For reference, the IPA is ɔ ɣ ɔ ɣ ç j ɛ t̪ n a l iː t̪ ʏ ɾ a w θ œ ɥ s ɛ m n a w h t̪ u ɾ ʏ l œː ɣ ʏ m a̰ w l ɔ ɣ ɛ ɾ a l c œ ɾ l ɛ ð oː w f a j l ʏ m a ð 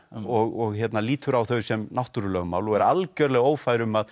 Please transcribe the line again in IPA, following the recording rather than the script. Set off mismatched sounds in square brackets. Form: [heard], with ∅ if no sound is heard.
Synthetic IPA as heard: ɔ ɣ ɔ ɣ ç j ɛ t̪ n a l iː t̪ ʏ ɾ a w θ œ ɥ s ɛ m n a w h t̪ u ɾ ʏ l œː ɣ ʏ m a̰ w l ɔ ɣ ɛ ɾ a l c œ ɾ l ɛ [ɣ] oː w f a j [ɾ] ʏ m a ð